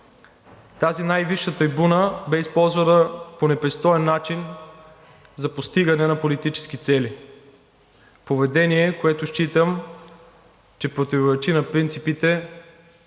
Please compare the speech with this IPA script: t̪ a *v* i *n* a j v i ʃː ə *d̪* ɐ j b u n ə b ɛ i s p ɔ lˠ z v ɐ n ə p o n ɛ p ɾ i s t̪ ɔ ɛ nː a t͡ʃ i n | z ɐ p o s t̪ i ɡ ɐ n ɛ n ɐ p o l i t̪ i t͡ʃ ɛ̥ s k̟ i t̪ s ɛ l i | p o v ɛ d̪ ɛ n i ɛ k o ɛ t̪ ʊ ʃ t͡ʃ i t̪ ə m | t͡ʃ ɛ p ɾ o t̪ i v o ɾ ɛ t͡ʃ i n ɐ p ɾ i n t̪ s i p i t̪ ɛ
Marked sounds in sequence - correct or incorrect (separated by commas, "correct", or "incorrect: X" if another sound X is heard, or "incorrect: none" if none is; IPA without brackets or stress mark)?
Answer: incorrect: z, correct, incorrect: t̪